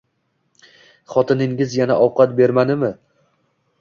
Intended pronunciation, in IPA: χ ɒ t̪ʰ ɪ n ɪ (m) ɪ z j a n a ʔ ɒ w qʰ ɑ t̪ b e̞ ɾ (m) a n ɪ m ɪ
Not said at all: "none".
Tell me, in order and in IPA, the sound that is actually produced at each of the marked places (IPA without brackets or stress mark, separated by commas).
ŋ, m